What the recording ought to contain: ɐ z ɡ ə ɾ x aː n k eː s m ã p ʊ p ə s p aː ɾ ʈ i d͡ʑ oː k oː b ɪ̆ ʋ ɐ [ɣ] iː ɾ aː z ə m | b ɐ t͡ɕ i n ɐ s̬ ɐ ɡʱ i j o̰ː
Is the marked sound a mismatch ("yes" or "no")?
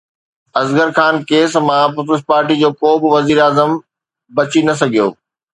yes